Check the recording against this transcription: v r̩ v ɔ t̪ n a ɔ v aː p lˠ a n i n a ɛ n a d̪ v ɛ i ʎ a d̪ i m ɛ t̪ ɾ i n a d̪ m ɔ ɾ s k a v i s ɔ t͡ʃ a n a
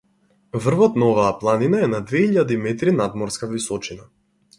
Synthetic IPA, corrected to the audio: v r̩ v ɔ t̪ n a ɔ v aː p lˠ a n i n a ɛ n a d̪ v ɛ i ʎ a d̪ i m ɛ t̪ ɾ i n a d̪ m ɔ ɾ s k a v i s ɔ t͡ʃ i n a